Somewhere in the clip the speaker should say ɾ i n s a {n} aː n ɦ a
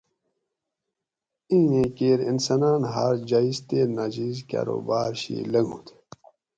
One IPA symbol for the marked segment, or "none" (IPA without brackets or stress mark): n